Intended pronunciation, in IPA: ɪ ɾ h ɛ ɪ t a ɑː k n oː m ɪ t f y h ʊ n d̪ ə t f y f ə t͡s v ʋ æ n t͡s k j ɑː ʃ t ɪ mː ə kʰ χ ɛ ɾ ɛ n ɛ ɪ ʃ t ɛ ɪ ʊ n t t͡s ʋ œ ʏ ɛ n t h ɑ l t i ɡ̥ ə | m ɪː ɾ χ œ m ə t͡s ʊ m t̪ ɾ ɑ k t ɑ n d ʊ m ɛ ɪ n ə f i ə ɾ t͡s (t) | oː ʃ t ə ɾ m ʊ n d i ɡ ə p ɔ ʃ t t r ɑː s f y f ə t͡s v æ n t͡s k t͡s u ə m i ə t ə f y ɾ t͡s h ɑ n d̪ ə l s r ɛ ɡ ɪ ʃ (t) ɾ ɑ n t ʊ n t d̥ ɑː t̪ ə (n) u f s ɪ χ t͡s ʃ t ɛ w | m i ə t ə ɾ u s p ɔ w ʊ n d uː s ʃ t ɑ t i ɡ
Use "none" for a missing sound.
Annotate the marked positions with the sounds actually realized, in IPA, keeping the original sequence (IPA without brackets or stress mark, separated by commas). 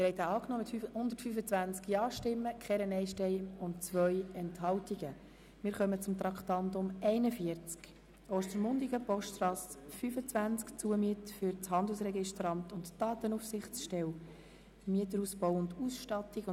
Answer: k, t, n